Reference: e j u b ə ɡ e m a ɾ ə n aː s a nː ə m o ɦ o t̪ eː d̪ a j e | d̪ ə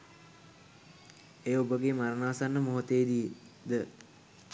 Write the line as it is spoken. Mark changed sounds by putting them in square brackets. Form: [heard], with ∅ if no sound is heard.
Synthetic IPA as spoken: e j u b ə ɡ e m a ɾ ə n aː s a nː ə m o ɦ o t̪ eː d̪ [i] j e | d̪ ə

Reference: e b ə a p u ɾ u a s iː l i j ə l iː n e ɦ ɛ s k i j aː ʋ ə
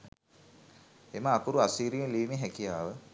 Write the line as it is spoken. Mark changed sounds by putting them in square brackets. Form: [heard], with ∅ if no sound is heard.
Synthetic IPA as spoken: e [m] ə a [k] u ɾ u a s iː [ɾ] i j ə l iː [m] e ɦ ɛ [∅] k i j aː ʋ ə

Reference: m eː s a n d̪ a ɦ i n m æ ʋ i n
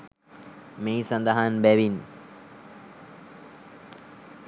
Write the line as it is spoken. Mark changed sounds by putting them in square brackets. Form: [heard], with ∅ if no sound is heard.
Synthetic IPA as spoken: m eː s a n d̪ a ɦ [a] n [b] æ ʋ i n

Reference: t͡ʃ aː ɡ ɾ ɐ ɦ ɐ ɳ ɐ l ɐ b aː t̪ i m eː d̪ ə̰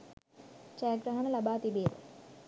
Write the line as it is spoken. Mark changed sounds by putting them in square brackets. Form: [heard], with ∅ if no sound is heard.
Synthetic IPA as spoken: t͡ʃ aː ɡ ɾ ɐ ɦ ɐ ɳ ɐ l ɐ b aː t̪ i [b] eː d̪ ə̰

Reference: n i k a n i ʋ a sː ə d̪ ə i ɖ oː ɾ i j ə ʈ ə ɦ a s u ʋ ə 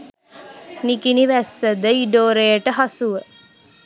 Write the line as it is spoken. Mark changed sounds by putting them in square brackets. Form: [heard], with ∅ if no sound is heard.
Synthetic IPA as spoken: n i k [i] n i ʋ [æ] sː ə d̪ ə i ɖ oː ɾ [e] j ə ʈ ə ɦ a s u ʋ ə

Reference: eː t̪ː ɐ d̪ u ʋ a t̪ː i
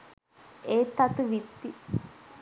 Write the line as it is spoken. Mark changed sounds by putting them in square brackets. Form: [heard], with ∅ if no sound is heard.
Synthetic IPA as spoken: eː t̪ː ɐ [t̪] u ʋ [i] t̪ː i

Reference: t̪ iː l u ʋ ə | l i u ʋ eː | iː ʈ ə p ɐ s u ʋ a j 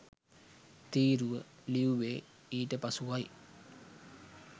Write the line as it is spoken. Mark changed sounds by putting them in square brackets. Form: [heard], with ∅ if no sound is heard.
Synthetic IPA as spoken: t̪ iː [ɾ] u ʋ ə | l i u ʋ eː | iː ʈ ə p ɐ s u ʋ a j

